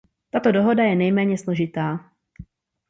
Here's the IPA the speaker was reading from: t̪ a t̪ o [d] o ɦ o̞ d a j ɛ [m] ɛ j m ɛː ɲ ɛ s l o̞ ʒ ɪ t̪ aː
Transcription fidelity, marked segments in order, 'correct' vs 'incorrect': correct, incorrect: n

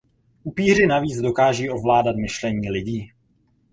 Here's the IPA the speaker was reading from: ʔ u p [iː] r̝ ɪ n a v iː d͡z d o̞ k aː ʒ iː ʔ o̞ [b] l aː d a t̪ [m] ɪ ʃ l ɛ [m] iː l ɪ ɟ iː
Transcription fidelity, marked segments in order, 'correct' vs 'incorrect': correct, incorrect: v, correct, incorrect: ɲ

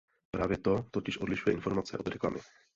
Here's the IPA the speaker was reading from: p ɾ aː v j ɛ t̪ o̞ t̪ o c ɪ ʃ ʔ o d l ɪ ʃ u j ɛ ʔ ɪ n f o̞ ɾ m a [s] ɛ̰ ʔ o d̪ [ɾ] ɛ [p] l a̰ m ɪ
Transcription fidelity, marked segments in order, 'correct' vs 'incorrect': incorrect: t͡s, correct, incorrect: k

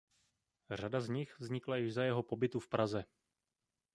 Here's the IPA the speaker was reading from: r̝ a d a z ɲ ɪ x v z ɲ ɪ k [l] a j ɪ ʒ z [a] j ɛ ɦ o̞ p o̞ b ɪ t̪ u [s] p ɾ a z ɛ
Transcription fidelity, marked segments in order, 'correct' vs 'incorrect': correct, correct, incorrect: f

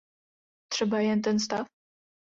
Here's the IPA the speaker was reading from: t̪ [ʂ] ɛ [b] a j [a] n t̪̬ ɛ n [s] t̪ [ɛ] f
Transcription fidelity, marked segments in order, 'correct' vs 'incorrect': correct, correct, incorrect: ɛ, correct, incorrect: a

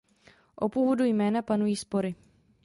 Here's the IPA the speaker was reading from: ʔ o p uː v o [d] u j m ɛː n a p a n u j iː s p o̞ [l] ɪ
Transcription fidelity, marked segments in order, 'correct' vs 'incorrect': correct, incorrect: ɾ

